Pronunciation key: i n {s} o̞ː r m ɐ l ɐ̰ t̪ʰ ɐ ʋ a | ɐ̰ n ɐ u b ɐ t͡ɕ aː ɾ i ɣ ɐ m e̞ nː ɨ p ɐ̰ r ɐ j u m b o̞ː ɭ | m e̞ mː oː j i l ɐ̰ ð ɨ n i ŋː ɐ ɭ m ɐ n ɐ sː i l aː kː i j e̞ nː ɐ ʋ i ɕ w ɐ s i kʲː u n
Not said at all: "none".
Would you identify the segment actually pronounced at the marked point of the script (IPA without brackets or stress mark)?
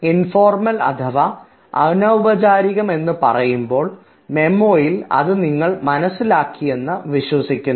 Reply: f